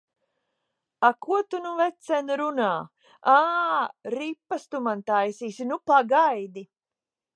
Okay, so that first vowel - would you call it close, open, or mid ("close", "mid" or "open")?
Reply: open